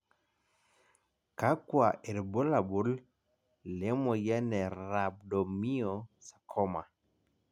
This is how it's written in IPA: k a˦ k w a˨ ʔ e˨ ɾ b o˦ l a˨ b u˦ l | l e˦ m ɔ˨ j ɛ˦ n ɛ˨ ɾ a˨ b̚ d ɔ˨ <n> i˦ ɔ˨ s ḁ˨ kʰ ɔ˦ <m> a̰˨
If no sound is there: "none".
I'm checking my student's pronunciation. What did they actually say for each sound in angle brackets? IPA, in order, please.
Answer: m, m

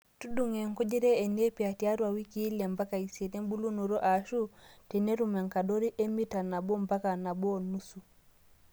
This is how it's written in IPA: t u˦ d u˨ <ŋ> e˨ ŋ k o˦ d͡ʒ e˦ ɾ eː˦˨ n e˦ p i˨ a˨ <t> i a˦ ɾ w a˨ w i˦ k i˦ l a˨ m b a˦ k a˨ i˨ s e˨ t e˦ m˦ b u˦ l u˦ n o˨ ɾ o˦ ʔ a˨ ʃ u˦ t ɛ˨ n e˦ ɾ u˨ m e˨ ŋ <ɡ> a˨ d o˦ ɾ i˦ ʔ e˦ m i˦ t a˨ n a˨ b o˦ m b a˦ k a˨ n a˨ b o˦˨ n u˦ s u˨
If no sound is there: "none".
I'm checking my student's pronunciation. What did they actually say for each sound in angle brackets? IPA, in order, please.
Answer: ŋ, t, k

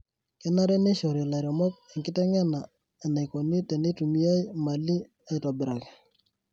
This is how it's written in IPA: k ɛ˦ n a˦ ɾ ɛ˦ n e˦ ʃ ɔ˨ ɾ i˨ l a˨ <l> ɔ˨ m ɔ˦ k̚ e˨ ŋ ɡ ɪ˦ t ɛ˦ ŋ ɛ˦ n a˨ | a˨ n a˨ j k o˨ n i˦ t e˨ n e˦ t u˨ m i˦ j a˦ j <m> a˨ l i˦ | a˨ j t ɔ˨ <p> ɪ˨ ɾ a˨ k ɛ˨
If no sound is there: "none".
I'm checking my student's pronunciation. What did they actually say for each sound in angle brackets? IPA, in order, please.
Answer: ɾ, m, b

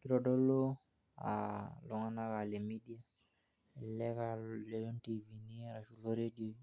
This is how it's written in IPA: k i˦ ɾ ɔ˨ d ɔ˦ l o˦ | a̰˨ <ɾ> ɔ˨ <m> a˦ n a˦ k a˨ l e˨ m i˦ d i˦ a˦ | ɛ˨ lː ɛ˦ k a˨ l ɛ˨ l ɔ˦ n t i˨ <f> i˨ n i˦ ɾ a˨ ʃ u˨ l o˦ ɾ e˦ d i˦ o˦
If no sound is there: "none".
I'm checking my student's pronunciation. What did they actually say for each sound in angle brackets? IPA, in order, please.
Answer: l, ŋ, v

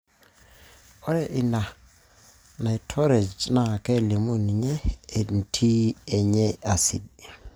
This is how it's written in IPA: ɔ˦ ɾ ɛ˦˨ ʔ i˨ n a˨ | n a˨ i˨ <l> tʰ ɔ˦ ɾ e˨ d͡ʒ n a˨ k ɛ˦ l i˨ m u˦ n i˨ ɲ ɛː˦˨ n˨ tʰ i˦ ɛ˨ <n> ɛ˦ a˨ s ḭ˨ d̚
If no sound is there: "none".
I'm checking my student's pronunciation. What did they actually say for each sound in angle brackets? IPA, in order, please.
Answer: none, ɲ

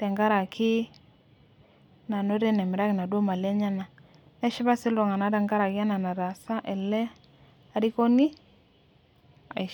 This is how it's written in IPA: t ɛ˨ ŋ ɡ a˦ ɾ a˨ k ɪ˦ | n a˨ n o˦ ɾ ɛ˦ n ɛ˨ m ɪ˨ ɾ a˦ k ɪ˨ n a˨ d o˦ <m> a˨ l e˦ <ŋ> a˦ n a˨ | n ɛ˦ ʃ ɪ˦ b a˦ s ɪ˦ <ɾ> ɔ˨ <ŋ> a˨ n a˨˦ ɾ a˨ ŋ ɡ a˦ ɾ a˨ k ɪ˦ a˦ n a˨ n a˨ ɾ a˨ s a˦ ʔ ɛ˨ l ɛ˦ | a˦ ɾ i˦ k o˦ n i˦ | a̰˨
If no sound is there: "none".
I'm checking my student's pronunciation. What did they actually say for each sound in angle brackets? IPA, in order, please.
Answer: m, ɲ, l, ŋ

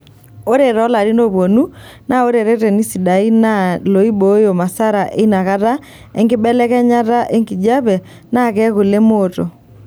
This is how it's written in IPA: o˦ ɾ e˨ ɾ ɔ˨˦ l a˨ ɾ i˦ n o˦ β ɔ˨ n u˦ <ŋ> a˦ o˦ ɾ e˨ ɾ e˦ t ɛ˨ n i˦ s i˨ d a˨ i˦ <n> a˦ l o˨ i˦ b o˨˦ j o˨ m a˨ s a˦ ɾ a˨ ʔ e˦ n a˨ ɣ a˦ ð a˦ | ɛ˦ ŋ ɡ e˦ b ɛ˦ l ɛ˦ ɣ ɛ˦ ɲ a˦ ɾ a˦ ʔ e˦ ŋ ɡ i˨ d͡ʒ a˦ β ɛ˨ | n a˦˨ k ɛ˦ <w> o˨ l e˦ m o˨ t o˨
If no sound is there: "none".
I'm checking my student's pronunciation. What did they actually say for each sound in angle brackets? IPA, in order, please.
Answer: n, n, ɣ

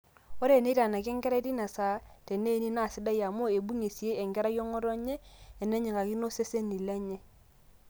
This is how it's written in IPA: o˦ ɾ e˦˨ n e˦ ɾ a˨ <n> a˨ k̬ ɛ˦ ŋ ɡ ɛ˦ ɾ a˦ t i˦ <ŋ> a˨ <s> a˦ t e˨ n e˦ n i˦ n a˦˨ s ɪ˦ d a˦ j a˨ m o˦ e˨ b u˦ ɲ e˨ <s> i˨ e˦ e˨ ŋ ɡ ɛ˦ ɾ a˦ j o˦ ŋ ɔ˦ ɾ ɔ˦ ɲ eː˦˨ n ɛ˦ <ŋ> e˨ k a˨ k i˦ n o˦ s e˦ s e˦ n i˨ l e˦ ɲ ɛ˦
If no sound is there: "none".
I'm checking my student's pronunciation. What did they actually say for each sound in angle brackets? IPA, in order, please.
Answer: n, n, s, s, ɲ

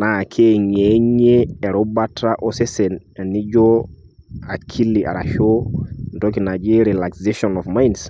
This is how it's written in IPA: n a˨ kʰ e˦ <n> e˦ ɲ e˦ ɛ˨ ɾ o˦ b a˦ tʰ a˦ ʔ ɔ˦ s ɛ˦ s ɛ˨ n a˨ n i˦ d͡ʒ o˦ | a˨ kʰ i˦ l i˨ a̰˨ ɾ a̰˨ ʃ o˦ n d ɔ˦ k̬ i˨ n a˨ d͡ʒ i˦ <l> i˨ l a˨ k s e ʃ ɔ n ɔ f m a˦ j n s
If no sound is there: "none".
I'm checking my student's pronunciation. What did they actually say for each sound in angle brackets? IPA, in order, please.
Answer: ɲ, ɾ

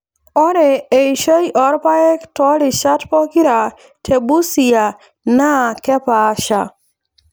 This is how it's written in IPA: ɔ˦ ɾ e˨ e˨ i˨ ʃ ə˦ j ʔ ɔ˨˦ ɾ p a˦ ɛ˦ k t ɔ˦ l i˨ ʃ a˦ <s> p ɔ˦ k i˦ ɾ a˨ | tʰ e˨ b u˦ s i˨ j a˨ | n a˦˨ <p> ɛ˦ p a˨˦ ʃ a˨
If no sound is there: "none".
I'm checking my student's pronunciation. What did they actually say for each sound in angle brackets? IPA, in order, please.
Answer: t, k

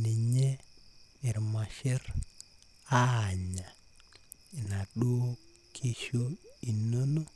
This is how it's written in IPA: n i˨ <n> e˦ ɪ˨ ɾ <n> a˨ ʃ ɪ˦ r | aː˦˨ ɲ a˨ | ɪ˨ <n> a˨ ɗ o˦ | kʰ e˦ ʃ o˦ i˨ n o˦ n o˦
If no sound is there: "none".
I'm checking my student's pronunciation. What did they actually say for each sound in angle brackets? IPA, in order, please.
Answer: ɲ, m, n

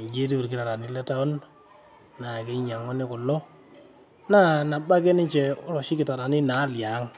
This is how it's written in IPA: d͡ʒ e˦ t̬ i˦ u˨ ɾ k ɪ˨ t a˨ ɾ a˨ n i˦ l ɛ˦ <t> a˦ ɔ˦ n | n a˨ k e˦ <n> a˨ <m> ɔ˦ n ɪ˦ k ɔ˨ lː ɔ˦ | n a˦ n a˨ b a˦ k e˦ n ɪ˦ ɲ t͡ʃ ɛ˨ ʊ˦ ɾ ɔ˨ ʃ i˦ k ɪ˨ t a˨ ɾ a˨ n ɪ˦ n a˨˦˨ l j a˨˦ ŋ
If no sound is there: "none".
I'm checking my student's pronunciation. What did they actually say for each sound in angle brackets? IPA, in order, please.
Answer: t, ɲ, ŋ

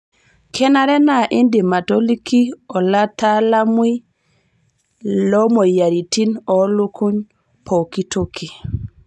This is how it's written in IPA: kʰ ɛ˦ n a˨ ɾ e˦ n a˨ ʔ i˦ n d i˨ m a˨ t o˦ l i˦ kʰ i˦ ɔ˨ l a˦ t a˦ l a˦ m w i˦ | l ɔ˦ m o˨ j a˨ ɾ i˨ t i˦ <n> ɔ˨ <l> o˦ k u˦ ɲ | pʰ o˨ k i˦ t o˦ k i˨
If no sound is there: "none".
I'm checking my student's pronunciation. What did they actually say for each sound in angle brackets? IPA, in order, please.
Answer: n, l

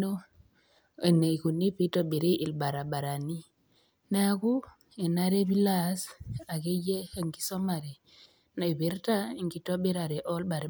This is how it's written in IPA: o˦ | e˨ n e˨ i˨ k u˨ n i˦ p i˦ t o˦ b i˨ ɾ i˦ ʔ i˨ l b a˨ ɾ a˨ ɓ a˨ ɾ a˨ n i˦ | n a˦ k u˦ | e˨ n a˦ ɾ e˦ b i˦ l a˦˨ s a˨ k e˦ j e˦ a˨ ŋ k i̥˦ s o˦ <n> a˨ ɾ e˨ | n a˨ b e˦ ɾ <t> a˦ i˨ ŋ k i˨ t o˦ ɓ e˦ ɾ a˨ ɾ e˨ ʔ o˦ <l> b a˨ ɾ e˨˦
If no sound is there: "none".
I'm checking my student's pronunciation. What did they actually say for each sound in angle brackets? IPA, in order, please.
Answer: m, t, l

